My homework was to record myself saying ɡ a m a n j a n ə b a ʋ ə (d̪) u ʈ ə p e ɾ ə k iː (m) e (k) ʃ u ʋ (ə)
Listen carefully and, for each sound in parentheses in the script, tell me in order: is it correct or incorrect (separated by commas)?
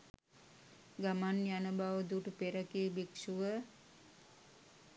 correct, incorrect, correct, correct